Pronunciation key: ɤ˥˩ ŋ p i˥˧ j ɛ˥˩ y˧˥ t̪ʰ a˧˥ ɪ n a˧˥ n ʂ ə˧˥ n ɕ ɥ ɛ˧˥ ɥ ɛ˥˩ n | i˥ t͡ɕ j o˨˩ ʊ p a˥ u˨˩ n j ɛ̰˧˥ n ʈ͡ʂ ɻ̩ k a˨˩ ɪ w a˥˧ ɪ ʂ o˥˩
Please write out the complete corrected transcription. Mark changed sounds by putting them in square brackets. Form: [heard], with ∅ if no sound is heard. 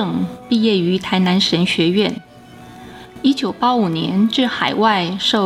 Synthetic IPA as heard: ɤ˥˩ ŋ p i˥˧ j ɛ˥˩ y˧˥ t̪ʰ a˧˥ ɪ n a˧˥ n ʂ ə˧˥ n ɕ ɥ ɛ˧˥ ɥ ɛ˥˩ n | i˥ t͡ɕ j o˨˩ ʊ p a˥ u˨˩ n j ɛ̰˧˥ n ʈ͡ʂ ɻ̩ [x] a˨˩ ɪ w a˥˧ ɪ ʂ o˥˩